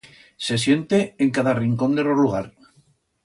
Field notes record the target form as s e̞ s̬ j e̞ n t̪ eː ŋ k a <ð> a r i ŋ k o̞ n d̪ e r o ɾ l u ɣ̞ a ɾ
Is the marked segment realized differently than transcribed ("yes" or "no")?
no